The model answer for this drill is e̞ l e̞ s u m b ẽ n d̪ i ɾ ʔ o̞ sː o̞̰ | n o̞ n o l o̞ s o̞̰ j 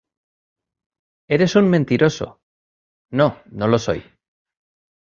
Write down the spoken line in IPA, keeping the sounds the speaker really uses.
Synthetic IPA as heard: e̞ ɾ e̞ s u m m ẽ n t̪ i ɾ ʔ o̞ s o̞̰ | n o̞ n o l o̞ s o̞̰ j

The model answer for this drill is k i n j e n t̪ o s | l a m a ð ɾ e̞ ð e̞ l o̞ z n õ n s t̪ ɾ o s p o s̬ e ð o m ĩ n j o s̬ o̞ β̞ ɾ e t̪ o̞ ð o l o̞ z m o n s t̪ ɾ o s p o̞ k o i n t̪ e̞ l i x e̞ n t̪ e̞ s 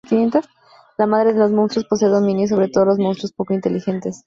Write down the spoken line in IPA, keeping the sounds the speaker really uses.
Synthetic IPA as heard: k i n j e n t̪ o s | l a m a ð ɾ e̞ ð e̞ l o̞ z m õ n s t̪ ɾ o s p o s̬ e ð o m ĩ n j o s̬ o̞ β̞ ɾ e t̪ o̞ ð o l o̞ z m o n s t̪ ɾ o s p o̞ k o i n t̪ e̞ l i x e̞ n t̪ e̞ s

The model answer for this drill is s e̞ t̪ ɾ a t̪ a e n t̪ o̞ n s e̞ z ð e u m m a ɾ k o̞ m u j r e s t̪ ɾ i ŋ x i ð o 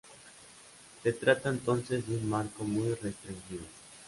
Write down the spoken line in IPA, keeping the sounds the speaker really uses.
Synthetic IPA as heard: s e̞ t̪ ɾ a t̪ a e n t̪ o̞ n s e̞ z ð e u n m a ɾ k o̞ m u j r e s t̪ ɾ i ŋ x i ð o

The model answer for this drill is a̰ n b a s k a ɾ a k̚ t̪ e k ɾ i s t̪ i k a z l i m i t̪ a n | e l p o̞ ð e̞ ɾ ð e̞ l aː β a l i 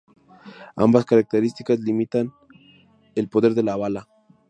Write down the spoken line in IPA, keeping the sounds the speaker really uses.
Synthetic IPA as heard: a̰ m b a s k a ɾ a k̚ t̪ e ɾ i s t̪ i k a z l i m i t̪ a n | e l p o̞ ð e̞ ɾ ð e̞ l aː β a l a

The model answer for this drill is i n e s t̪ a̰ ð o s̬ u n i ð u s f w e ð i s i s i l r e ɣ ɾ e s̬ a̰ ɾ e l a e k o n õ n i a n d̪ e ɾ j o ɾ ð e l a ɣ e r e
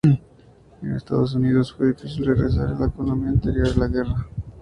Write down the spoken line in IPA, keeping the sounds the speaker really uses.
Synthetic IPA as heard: e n e s t̪ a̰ ð o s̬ u n i ð o s f w e ð i f i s i l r e ɣ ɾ e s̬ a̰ ɾ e l a e k o n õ m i a n t̪ e ɾ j o ɾ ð e l a ɣ e r a

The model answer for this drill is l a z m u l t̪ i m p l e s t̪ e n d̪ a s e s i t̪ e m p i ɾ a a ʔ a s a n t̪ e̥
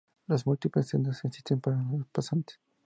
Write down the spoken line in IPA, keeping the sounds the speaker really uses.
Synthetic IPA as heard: l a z m u l t̪ i p l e s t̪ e n d̪ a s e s i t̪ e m p a ɾ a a p a s a n t̪ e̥

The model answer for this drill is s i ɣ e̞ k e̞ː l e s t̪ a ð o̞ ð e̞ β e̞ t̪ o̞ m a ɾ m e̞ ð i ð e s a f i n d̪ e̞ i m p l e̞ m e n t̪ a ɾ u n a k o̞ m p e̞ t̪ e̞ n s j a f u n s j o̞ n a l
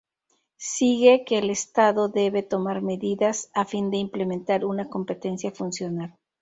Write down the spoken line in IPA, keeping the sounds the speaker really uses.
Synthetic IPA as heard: s i ɣ e̞ k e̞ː l e s t̪ a ð o̞ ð e̞ β e̞ t̪ o̞ m a ɾ m e̞ ð i ð a s a f i n d̪ e̞ i m p l e̞ m e n t̪ a ɾ u n a k o̞ m p e̞ t̪ e̞ n s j a f u n s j o̞ n a l

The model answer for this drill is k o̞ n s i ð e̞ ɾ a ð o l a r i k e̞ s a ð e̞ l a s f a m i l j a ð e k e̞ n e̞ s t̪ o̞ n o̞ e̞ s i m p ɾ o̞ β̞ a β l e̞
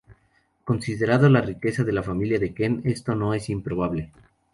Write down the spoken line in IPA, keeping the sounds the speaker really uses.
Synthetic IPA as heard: k o̞ n s i ð e̞ ɾ a ð o l a r i k e̞ s a ð e̞ l a f a m i l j a ð e k e̞ n e̞ s t̪ o̞ n o̞ e̞ s i m p ɾ o̞ β̞ a β l e̞

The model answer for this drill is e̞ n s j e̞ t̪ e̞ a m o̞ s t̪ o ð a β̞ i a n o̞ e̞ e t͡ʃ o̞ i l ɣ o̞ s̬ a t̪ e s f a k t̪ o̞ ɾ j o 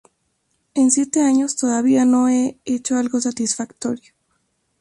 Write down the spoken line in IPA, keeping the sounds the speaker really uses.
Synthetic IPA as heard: e̞ n s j e̞ t̪ e̞ a ɲ o̞ s t̪ o ð a β̞ i a n o̞ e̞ e t͡ʃ o̞ a l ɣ o̞ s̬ a t̪ i s f a k t̪ o̞ ɾ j o

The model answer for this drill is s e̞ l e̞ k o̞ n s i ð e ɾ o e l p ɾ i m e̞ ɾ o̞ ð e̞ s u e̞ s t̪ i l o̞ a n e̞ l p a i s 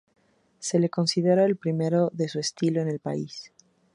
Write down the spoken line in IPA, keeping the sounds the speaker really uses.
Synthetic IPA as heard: s e̞ l e̞ k o̞ n s i ð e ɾ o e l p ɾ i m e̞ ɾ o̞ ð e̞ s u e̞ s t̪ i l o̞ e n e̞ l p a i s

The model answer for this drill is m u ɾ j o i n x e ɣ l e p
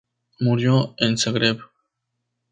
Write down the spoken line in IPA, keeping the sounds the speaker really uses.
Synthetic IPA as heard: m u ɾ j o e n s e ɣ ɾ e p

